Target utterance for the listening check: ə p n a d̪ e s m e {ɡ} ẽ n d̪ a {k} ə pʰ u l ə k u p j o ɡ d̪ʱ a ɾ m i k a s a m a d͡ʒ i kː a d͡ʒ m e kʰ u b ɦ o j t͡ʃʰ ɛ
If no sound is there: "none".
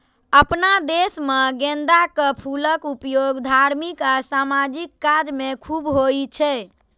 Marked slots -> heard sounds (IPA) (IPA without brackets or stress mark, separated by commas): ɡ, k